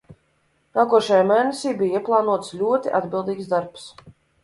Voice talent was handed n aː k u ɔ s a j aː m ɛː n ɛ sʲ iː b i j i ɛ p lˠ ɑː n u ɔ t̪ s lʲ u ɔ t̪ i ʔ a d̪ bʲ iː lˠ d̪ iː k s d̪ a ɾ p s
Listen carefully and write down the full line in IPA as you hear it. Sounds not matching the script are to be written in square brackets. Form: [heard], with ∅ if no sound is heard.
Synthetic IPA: n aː k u ɔ [ʃ] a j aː m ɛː n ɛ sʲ iː b i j i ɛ p lˠ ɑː n u ɔ t̪ s lʲ u ɔ t̪ i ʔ a d̪ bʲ [i] lˠ d̪ iː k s d̪ a ɾ p s